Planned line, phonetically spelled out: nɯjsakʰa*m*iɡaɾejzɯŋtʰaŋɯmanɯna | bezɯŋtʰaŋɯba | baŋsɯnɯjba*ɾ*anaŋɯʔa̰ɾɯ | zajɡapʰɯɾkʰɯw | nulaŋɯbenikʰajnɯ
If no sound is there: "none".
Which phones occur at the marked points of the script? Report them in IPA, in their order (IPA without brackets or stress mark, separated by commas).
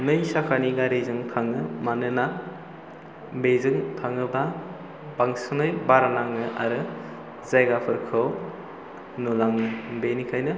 n, ɾ